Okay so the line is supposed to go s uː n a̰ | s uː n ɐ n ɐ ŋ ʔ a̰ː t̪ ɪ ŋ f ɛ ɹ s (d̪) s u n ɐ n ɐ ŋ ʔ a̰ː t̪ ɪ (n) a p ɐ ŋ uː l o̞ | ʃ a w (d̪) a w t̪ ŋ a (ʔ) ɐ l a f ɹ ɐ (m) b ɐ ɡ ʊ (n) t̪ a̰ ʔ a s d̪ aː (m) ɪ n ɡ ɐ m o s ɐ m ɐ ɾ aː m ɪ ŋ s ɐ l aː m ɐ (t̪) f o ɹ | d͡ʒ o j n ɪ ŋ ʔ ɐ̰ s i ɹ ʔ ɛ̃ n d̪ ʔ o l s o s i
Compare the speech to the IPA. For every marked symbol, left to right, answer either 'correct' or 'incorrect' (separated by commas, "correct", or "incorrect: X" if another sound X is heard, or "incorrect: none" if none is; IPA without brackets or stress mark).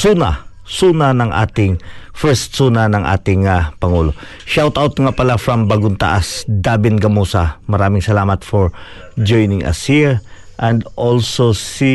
incorrect: t̪, incorrect: ŋ, incorrect: t̪, incorrect: p, correct, correct, incorrect: b, correct